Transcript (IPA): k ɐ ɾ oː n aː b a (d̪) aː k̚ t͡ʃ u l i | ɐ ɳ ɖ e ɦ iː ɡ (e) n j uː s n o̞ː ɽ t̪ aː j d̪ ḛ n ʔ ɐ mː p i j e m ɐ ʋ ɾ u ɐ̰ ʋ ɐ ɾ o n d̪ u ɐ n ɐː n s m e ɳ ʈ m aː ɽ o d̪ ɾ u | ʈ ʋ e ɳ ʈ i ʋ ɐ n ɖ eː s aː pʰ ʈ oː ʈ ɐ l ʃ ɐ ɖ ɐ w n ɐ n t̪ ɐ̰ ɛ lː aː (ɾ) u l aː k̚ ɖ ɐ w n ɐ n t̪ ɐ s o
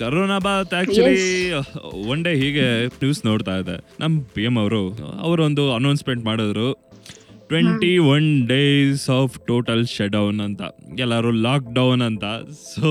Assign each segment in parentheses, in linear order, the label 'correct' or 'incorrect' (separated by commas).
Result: incorrect, correct, correct